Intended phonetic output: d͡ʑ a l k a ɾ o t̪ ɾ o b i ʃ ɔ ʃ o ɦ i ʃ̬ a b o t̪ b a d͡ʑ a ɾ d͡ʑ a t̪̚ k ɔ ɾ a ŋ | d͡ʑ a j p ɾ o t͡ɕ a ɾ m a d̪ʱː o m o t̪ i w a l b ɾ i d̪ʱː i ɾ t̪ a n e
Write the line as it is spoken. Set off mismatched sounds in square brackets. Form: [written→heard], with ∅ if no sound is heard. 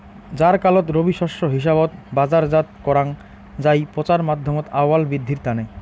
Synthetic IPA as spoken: d͡ʑ a [l→ɾ] k a [ɾ→l] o t̪ ɾ o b i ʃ ɔ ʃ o ɦ i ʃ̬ a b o t̪ b a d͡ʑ a ɾ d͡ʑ a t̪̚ k ɔ ɾ a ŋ | d͡ʑ a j p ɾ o t͡ɕ a ɾ m a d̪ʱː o m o t̪ [i→a] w a l b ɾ i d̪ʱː i ɾ t̪ a n e